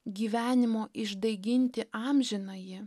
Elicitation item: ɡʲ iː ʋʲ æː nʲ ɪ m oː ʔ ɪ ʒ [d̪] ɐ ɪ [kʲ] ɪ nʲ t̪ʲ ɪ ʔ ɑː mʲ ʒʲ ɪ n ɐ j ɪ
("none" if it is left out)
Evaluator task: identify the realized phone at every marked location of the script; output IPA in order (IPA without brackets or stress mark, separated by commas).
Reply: d̪, ɡʲ